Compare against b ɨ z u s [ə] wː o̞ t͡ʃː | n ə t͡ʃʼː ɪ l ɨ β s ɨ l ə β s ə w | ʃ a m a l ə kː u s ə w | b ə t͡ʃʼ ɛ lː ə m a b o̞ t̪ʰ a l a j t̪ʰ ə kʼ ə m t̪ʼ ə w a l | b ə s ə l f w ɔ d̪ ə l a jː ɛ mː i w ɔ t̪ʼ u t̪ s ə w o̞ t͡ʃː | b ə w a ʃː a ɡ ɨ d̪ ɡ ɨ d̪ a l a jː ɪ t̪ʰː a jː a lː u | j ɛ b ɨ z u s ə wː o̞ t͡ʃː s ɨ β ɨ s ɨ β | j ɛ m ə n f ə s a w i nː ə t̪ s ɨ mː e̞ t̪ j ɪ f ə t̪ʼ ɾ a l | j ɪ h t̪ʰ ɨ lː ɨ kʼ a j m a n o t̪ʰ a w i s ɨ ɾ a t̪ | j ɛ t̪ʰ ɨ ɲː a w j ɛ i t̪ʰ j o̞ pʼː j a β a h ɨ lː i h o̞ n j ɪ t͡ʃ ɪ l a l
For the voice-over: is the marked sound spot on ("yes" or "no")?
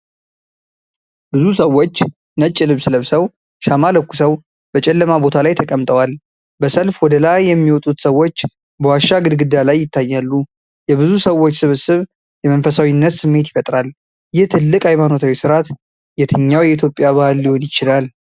yes